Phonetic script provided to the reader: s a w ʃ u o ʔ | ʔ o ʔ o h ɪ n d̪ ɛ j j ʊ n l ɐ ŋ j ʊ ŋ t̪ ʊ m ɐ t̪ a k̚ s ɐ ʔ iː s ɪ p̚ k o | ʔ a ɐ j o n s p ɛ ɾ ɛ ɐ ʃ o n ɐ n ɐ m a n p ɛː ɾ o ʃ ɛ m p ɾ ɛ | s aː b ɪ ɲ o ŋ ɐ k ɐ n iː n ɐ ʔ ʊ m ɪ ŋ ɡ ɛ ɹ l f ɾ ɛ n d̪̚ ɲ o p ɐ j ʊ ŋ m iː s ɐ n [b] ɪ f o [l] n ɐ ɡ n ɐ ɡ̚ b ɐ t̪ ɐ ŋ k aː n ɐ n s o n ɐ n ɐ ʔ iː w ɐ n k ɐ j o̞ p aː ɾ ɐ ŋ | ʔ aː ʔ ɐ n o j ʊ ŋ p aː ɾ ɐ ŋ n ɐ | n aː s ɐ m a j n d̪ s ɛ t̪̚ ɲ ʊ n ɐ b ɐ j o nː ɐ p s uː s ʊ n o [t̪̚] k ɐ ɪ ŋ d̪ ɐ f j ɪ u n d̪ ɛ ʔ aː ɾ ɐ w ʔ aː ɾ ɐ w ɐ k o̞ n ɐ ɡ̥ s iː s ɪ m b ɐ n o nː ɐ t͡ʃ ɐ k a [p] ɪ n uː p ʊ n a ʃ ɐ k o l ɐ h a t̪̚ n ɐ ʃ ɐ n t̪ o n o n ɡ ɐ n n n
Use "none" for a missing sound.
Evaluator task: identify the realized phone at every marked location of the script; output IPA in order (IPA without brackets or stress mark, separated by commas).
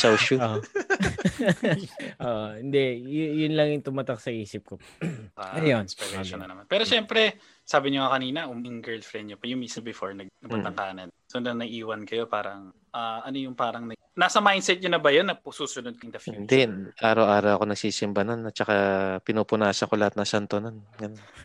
b, ɹ, d̪̚, p